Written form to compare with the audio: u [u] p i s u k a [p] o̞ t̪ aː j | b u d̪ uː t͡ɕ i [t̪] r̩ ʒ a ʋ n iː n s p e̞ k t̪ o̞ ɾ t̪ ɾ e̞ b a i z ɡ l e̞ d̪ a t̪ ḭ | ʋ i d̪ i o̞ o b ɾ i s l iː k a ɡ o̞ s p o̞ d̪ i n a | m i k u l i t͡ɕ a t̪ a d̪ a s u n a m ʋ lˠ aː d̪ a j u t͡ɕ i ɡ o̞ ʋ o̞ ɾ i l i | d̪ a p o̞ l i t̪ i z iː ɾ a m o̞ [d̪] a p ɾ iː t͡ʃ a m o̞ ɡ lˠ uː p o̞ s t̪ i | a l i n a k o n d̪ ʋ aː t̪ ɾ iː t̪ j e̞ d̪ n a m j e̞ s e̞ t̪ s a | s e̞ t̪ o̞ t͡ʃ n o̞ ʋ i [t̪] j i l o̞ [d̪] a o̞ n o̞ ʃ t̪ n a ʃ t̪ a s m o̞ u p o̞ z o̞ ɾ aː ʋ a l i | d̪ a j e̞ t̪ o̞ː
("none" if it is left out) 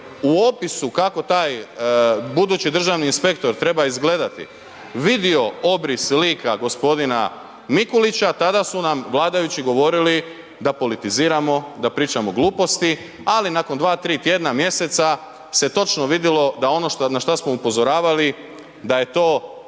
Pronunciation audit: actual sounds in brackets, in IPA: o, k, d̪, d̪, d̪, d̪

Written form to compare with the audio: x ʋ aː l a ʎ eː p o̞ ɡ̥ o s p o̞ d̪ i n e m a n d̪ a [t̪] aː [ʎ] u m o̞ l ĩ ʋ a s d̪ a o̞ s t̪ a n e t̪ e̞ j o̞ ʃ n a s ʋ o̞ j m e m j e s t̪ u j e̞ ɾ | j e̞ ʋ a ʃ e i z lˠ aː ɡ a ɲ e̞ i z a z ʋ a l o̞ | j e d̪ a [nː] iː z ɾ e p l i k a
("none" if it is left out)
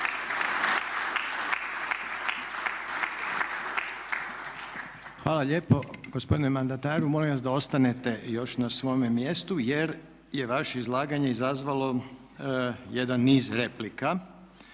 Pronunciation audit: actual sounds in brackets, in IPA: t̪, ɾ, nː

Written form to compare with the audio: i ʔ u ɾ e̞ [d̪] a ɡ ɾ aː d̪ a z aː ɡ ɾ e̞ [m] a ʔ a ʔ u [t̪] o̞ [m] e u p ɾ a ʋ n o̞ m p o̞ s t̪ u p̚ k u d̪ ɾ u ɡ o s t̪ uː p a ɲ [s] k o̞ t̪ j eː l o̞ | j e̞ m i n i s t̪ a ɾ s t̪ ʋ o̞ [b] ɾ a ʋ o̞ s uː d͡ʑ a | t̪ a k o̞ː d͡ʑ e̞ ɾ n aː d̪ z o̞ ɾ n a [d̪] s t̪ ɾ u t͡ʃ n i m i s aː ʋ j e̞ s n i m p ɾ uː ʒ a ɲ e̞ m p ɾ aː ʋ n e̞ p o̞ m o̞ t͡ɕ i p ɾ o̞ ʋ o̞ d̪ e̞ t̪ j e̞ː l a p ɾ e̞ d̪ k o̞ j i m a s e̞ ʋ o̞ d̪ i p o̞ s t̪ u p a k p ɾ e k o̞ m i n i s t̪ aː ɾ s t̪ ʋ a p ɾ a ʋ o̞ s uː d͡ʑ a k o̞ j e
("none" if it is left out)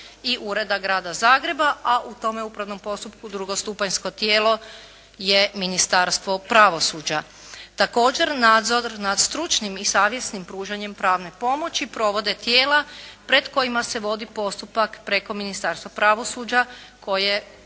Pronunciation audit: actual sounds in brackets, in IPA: d̪, b, t̪, m, s, p, d̪

